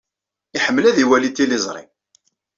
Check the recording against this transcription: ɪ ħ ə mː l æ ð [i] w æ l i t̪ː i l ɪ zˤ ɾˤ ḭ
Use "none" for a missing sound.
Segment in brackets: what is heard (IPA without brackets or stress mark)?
i